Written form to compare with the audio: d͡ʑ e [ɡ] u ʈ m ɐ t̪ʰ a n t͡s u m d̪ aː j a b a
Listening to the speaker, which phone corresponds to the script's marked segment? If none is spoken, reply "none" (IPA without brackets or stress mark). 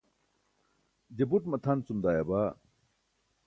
b